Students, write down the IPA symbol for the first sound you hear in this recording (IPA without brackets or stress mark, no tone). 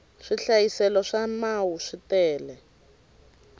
ʂ